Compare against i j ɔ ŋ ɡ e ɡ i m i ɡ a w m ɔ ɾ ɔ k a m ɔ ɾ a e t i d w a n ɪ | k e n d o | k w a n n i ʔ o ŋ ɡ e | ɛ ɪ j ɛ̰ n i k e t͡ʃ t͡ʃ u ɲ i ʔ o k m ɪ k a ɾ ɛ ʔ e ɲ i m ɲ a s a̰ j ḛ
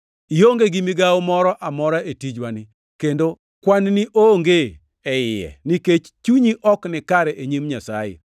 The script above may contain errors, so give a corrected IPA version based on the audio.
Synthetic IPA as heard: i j o ŋ ɡ e ɡ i m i ɡ a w m ɔ ɾ ɔ ʔ a m ɔ ɾ a e t i d͡ʒ w a n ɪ | k e n d o | k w a n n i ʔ o ŋ ɡ e | ɛ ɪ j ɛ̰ n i k e t͡ʃ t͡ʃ u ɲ i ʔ ɔ k n ɪ k a ɾ ɛ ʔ e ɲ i m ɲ a s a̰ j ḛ